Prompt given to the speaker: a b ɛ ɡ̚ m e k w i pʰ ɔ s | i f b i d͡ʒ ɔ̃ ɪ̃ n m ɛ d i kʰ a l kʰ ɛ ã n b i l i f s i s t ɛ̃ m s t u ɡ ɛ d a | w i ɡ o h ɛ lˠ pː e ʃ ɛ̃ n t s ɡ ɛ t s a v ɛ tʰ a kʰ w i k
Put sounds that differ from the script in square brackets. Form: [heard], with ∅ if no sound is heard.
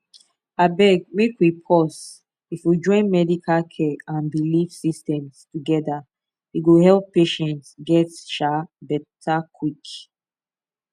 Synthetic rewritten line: a b ɛ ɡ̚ m e k w i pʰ ɔ s | i f [w] i d͡ʒ ɔ̃ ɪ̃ n m ɛ d i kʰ a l kʰ ɛ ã n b i l i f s i s t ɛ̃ m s t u ɡ ɛ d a | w i ɡ o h ɛ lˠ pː e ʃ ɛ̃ n t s ɡ ɛ t [ʃ] a [b] ɛ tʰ a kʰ w i k